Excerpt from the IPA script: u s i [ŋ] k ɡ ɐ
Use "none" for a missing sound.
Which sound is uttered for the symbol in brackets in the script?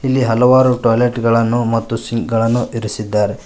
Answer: ŋ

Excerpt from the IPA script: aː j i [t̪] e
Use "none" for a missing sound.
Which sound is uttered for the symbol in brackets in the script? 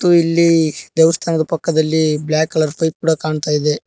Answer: d̪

